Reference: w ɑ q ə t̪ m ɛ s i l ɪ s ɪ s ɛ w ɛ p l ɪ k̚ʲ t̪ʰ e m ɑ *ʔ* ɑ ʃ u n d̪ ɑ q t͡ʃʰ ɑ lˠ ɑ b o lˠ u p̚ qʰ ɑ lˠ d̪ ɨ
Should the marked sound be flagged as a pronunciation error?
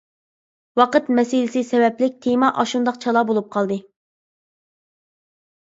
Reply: no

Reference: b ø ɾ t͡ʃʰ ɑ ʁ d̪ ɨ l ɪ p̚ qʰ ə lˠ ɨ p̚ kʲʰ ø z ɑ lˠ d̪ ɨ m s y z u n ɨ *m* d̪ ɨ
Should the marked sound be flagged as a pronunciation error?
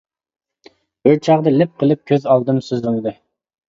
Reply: yes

